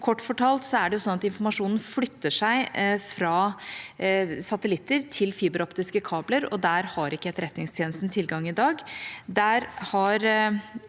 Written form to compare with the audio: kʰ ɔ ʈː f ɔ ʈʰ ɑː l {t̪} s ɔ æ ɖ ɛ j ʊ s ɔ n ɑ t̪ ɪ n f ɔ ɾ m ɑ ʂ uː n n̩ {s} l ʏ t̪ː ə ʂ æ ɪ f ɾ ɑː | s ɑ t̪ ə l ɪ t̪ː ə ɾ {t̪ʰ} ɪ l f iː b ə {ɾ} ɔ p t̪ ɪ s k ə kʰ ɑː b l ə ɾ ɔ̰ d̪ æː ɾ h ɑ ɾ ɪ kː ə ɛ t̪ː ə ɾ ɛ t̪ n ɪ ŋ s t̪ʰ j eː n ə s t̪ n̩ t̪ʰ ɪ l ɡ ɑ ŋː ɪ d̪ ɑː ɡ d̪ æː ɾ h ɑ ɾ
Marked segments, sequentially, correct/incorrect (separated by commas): correct, incorrect, correct, correct